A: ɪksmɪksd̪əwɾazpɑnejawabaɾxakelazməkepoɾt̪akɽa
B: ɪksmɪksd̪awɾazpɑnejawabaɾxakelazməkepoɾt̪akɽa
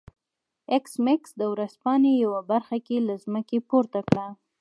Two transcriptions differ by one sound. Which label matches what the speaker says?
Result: A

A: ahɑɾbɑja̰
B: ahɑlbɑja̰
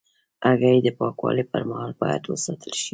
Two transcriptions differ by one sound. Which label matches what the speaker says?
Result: B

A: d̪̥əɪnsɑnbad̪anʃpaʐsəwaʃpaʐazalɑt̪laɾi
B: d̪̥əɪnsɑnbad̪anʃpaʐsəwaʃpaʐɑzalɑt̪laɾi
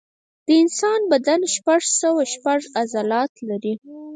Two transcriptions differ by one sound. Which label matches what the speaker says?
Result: A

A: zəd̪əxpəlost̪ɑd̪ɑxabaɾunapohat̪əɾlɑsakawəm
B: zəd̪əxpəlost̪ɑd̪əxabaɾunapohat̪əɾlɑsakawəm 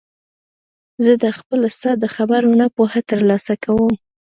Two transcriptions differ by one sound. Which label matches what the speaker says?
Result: B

